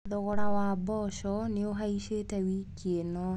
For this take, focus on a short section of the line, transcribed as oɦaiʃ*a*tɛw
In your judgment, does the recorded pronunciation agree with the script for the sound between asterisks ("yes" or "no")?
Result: no